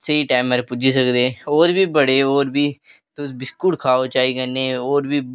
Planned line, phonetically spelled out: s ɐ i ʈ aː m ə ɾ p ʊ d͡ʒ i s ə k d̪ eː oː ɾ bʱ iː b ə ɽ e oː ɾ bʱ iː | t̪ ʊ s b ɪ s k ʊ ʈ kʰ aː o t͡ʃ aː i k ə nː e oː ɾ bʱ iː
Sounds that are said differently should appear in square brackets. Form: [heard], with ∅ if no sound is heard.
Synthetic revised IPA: s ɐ i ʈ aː m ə ɾ p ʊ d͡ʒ i s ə k d̪ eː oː ɾ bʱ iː b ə ɽ e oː ɾ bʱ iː | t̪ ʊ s b ɪ s k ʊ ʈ kʰ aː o t͡ʃ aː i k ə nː e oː ɾ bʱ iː